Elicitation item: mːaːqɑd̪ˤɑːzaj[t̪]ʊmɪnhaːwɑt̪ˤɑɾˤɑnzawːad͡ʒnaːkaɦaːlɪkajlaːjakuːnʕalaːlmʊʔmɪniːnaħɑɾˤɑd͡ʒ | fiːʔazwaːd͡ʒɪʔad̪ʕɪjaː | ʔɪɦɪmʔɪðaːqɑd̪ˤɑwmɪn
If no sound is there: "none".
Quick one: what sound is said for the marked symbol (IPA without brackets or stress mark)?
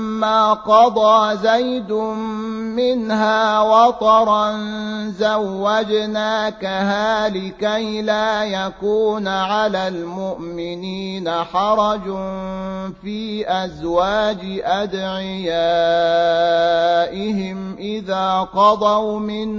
d̪